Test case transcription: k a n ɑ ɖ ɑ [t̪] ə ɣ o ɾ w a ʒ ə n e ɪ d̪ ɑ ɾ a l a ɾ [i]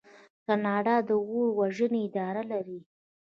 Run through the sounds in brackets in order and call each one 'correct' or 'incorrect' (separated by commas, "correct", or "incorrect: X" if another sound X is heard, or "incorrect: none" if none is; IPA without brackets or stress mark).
incorrect: d̪, correct